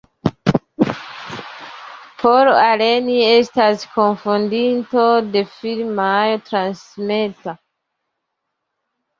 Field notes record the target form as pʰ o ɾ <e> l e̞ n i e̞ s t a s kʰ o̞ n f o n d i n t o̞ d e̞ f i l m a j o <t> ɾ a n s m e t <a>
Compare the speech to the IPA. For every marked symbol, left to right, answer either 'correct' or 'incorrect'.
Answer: incorrect, correct, correct

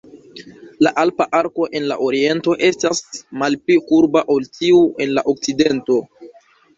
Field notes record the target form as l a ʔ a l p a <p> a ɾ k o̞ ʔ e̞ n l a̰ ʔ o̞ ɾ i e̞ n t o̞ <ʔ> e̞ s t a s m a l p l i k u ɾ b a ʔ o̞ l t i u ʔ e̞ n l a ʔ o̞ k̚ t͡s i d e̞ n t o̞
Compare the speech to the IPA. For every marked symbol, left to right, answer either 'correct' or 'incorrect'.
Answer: incorrect, correct

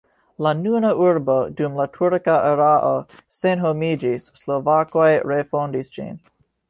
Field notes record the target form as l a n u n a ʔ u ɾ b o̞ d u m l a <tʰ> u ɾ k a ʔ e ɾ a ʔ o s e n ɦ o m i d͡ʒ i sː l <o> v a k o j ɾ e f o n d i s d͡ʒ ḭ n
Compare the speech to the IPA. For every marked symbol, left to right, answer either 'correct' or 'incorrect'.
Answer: correct, correct

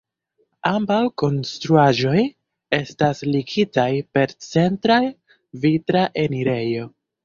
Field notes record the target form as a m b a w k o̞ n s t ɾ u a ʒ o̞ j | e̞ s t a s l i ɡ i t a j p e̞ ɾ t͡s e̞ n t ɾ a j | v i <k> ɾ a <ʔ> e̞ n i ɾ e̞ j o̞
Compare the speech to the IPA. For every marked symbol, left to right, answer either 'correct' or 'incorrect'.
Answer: incorrect, correct

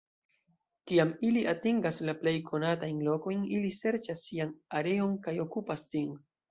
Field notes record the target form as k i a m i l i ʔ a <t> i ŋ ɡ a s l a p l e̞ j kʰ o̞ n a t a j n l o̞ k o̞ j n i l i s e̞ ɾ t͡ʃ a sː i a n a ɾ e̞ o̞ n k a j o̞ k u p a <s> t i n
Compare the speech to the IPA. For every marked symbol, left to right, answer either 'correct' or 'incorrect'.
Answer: correct, correct

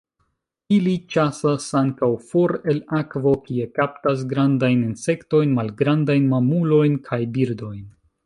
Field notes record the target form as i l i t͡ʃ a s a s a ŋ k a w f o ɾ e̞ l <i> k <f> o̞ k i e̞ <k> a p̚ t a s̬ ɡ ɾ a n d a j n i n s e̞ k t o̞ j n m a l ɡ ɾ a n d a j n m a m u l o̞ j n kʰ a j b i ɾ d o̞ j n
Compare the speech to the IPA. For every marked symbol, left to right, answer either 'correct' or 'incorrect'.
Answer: incorrect, incorrect, correct

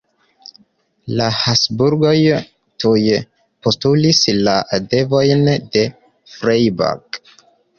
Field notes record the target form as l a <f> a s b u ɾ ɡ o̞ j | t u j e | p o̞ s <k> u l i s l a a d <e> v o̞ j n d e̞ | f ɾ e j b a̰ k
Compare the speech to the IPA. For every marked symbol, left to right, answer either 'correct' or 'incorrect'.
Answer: incorrect, incorrect, correct

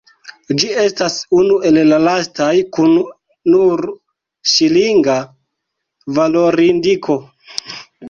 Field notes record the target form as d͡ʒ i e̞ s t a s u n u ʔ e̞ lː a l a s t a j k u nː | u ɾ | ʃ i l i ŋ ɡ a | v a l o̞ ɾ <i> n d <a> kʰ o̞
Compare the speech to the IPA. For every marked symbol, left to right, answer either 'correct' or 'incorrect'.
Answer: correct, incorrect

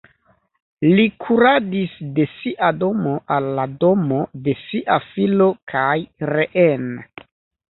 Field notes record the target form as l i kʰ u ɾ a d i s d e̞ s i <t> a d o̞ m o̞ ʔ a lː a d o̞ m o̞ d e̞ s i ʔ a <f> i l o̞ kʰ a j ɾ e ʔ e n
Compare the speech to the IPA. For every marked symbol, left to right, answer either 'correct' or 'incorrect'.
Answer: incorrect, correct

